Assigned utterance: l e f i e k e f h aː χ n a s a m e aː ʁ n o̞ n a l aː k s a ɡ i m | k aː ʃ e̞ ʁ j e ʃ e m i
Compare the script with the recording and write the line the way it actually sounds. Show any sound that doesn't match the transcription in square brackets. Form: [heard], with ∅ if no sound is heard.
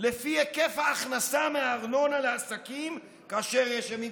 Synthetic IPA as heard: l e f i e k e f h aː χ n a s a m e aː ʁ n o̞ n a l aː [∅] s a [k] i m | k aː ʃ e̞ ʁ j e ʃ e m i